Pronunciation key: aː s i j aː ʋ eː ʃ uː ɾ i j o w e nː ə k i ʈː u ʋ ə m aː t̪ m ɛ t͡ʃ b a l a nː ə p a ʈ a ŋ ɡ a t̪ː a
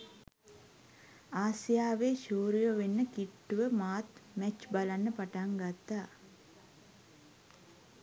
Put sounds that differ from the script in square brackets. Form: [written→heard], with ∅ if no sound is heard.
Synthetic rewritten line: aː s i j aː ʋ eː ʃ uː ɾ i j o [w→ʋ] e nː ə k i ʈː u ʋ ə m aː t̪ m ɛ t͡ʃ b a l a nː ə p a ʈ a ŋ ɡ a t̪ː a

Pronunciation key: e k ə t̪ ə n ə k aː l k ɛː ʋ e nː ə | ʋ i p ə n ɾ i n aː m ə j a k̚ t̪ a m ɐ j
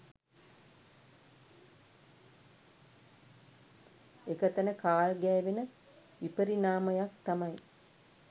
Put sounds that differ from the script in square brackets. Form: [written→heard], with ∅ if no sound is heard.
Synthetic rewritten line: e k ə t̪ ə n ə k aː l [k→ɡ] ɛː ʋ e [nː→n] ə | ʋ i p ə [n→∅] ɾ i n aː m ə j a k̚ t̪ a m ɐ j

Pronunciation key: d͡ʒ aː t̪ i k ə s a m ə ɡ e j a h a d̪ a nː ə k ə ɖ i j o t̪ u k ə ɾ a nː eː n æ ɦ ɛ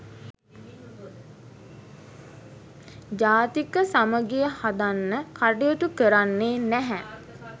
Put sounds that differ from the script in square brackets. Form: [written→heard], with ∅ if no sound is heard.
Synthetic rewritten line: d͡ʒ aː t̪ i k ə s a m ə ɡ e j [a→ə] h a d̪ a nː ə k [ə→a] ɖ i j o t̪ u k ə ɾ a nː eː n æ ɦ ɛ

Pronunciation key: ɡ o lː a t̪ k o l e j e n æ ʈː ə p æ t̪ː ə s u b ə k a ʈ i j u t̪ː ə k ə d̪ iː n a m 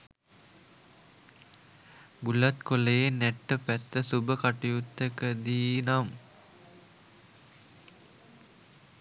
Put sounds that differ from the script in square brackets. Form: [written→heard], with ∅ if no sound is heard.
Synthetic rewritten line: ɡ [o→u] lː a t̪ k o l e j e n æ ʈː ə p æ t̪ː ə s u b ə k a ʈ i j u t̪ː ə k ə d̪ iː n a m

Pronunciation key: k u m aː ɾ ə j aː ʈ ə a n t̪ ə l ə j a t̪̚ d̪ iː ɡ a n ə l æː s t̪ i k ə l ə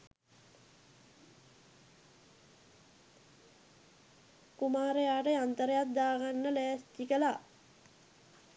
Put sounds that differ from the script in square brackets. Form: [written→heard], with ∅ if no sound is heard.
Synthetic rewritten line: k u m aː ɾ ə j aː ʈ ə a n t̪ ə [l→ɾ] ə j a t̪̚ d̪ [iː→aː] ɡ a [n→nː] ə l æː s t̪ i k ə l [ə→a]

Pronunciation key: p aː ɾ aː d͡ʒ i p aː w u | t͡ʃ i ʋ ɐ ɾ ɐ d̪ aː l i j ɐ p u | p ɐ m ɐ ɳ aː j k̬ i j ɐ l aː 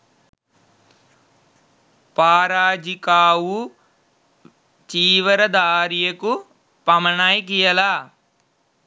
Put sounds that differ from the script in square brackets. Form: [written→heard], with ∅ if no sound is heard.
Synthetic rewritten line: p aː ɾ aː d͡ʒ i [p→k] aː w u | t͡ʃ [i→iː] ʋ ɐ ɾ ɐ d̪ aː [l→ɾ] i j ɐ [p→k] u | p ɐ m ɐ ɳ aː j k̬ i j ɐ l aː

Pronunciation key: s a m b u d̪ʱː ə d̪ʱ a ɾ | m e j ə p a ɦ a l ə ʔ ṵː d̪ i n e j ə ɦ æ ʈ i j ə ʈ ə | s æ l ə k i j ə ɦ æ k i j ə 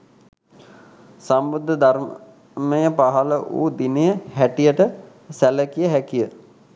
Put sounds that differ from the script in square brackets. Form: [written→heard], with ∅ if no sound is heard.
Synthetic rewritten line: s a m b u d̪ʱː ə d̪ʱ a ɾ | m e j ə p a ɦ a l ə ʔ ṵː d̪ i n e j ə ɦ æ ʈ i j ə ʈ ə | s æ l ə k i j ə ɦ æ k i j ə

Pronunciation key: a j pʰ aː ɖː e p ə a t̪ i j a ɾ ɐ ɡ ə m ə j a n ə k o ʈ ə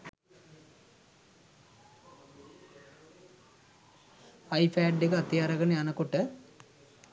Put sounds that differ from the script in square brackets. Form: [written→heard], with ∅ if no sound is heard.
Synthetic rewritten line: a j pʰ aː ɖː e [p→k] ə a t̪ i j a ɾ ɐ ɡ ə [m→n] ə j a n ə k o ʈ ə

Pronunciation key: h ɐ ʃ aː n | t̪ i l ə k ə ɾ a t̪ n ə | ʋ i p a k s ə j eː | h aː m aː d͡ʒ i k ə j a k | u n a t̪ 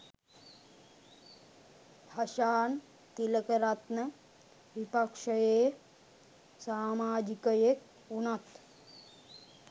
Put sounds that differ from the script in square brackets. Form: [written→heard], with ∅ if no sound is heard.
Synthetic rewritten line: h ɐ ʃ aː n | t̪ i l ə k ə ɾ a t̪ n ə | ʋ i p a k [s→ʂ] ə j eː | [h→s] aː m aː d͡ʒ i k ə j [a→e] k | u n a t̪

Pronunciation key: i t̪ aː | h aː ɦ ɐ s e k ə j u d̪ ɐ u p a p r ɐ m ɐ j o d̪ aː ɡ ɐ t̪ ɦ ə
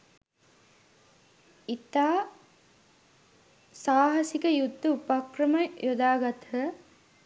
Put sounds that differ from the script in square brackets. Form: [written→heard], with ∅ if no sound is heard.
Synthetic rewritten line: i t̪ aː | [h→s] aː ɦ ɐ s [e→i] k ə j u [d̪→d̪ː] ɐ u p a [p→k] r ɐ m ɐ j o d̪ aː ɡ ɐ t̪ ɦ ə

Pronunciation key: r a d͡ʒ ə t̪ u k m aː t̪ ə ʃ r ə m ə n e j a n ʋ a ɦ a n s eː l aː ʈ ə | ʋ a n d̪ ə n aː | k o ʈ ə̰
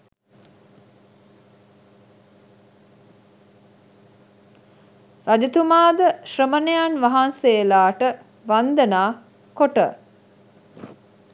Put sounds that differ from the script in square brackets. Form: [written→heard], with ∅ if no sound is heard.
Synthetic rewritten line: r a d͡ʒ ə t̪ u [k→∅] m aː [t̪→d̪] ə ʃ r ə m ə n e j a n ʋ a ɦ a n s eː l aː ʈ ə | ʋ a n d̪ ə n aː | k o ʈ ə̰

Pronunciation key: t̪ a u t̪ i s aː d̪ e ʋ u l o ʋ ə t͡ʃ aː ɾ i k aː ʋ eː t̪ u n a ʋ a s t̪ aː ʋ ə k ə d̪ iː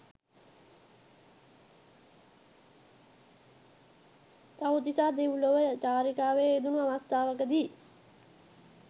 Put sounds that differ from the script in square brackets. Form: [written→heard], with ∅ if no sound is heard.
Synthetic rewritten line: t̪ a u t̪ i s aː d̪ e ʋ u l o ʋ ə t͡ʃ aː ɾ i k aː ʋ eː [t̪→d̪] u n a ʋ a s t̪ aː ʋ ə k ə d̪ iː

